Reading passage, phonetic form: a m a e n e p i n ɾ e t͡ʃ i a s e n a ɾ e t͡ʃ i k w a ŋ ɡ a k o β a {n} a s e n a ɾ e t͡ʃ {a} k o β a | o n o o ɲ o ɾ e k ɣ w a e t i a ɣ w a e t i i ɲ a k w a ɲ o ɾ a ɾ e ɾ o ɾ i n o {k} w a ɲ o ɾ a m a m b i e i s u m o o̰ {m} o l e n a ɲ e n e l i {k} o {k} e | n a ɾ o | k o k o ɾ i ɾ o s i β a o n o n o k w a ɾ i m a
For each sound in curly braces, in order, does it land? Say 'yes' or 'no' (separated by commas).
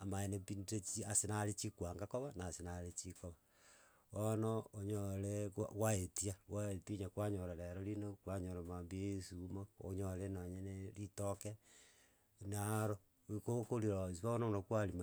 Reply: yes, no, yes, no, no, yes